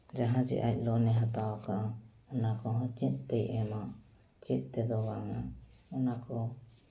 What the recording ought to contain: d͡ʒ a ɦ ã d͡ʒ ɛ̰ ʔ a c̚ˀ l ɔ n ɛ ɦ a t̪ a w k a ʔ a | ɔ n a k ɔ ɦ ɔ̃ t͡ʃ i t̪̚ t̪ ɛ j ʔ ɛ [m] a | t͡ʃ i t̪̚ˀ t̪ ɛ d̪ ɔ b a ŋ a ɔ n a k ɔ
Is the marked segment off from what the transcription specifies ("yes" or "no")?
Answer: no